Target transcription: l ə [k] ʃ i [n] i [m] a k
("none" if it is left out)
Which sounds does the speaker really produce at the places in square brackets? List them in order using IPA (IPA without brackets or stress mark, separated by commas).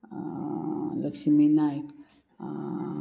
k, m, n